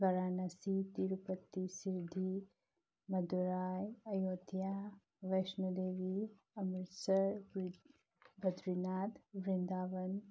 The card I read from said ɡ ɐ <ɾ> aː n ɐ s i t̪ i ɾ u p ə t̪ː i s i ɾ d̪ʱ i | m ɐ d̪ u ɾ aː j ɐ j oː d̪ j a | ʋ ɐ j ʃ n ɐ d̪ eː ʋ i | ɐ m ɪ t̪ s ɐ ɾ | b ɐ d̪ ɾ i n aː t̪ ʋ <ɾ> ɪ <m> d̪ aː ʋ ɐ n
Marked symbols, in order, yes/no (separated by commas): yes, yes, no